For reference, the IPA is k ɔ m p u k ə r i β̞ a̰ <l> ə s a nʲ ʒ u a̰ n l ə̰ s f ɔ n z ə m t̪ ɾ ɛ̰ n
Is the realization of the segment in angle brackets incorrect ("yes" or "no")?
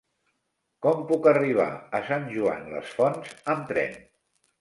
yes